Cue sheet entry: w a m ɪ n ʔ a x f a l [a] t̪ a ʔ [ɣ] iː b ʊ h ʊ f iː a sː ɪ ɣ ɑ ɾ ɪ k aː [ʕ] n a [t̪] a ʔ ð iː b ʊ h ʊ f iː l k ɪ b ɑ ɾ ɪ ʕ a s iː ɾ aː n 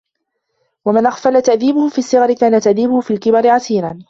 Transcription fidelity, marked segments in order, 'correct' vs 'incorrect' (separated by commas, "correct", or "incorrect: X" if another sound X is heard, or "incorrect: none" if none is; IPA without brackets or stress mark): correct, incorrect: ð, incorrect: none, correct